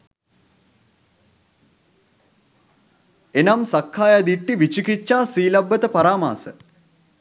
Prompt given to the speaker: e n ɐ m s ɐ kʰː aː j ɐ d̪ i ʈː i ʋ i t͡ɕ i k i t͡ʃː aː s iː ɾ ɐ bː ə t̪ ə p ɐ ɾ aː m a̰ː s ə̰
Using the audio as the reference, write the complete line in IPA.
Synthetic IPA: e n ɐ m s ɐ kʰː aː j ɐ d̪ i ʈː i ʋ i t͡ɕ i k i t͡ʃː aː s iː l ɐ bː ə t̪ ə p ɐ ɾ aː m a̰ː s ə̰

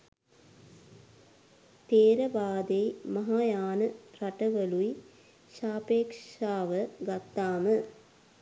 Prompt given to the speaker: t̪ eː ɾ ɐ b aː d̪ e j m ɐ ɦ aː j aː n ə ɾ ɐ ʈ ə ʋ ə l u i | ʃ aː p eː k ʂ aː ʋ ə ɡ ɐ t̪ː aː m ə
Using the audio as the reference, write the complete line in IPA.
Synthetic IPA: t̪ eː ɾ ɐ b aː d̪ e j m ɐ ɦ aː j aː n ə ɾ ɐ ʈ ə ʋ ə l u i | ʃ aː p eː k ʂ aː ʋ ə ɡ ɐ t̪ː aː m ə

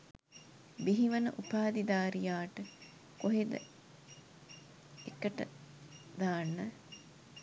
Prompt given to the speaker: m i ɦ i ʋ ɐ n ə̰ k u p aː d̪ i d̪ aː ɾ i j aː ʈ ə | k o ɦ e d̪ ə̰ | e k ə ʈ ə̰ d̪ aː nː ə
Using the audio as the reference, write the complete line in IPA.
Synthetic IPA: b i ɦ i ʋ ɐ n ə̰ ʔ u p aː d̪ i d̪ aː ɾ i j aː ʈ ə | k o ɦ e d̪ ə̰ | e k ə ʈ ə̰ d̪ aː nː ə

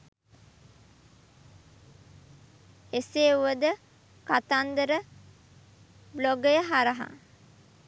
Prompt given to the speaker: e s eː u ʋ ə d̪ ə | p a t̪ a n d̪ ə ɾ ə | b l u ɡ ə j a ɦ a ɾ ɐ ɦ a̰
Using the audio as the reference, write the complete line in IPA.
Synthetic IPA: e s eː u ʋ ə d̪ ə | k a t̪ a n d̪ ə ɾ ə | b l o ɡ ə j ə ɦ a ɾ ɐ ɦ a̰

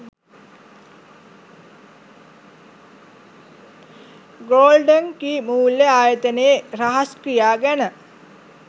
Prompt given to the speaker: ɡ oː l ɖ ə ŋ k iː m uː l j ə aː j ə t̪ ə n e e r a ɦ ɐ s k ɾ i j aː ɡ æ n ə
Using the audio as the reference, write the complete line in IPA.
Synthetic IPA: ɡ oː l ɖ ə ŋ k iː m uː l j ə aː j ə t̪ ə n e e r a ɦ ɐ s k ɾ i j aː ɡ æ n ə

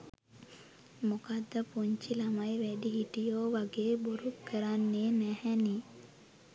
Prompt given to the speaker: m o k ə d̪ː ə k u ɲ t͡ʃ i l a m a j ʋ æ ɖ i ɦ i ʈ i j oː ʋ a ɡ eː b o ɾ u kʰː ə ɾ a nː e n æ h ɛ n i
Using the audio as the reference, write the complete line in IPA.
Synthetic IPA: m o k a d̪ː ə p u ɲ t͡ʃ i l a m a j ʋ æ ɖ i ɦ i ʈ i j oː ʋ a ɡ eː b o ɾ u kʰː ə ɾ a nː e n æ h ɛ n i

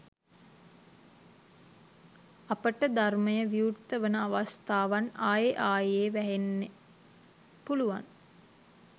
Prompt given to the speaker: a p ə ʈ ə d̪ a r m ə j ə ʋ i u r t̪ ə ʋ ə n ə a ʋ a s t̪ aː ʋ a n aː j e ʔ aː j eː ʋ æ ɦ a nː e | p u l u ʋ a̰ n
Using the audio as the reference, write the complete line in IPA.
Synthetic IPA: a p ə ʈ ə d̪ a r m ə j ə ʋ i u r t̪ ə ʋ ə n ə a ʋ a s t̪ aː ʋ a n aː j e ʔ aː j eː ʋ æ ɦ e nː e | p u l u ʋ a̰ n

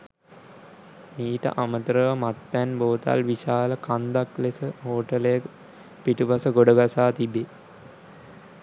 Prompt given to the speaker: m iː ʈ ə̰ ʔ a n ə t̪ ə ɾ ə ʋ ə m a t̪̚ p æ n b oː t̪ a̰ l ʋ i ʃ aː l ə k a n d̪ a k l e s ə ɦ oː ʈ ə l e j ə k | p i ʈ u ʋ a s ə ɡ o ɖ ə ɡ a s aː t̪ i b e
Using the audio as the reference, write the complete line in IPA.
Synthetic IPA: m iː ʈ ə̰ ʔ a m ə t̪ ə ɾ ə ʋ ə m a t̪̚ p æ n b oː t̪ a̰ l ʋ i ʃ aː l ə k a n d̪ a k l e s ə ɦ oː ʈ ə l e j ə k | p i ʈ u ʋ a s ə ɡ o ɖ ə ɡ a s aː t̪ i b e

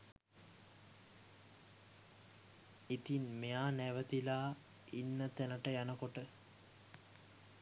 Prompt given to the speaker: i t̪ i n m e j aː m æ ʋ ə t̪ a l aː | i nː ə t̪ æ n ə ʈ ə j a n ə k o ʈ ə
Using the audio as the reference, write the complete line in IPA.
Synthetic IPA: i t̪ i n m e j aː n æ ʋ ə t̪ i l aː | i nː ə t̪ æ n ə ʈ ə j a n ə k o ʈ ə

